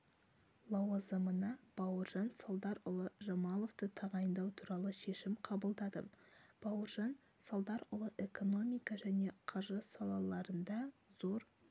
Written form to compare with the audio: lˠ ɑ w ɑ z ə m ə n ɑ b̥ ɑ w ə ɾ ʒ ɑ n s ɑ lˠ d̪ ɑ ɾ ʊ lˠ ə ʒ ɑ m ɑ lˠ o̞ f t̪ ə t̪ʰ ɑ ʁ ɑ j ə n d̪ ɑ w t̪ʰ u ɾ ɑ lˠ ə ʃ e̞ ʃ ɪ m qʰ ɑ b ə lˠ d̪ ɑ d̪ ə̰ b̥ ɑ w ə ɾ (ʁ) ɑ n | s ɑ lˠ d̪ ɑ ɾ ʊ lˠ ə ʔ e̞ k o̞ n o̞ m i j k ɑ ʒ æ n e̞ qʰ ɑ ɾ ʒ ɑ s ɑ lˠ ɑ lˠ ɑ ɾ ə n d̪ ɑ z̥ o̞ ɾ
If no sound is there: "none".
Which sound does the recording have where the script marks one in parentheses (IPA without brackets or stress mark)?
ʒ